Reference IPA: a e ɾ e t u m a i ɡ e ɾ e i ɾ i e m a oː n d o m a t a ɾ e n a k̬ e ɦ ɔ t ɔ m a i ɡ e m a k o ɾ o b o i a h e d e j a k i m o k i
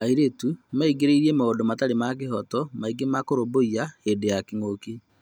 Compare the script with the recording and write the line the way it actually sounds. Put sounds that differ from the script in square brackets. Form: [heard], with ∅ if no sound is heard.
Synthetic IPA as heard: a [i] ɾ e t u m a i ɡ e ɾ e i ɾ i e m a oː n d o m a t a ɾ e [m] a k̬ e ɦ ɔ t ɔ m a i ɡ e m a k o ɾ o b o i a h e d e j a k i [ŋ] o k i